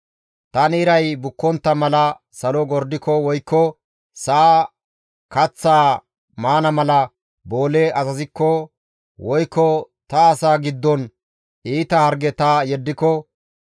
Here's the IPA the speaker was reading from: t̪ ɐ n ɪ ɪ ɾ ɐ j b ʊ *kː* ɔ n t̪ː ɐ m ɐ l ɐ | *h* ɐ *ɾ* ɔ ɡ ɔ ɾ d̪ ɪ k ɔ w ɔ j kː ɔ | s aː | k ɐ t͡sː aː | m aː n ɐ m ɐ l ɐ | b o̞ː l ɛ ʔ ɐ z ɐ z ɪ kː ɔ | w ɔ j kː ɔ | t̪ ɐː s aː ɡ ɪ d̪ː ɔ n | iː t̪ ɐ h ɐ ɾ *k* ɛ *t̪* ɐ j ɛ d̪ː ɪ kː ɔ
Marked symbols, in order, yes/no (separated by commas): yes, no, no, no, yes